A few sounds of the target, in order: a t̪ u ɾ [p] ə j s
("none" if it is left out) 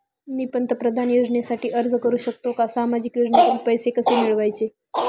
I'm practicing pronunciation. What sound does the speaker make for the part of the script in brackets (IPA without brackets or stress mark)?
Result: p